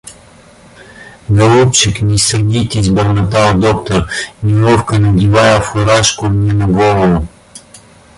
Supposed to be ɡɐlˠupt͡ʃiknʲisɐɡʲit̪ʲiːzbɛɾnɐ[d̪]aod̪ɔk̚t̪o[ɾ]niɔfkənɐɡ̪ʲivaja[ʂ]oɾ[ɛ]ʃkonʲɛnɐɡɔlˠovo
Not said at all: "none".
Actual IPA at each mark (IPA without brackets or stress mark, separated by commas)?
t̪, ɾ, f, a